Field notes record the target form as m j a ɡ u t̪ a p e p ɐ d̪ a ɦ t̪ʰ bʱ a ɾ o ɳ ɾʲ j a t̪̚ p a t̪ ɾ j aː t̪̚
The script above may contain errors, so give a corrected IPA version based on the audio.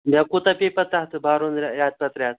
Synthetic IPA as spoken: m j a k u t̪ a p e p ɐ t̪ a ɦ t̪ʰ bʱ a ɾ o n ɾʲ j a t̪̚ p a t̪ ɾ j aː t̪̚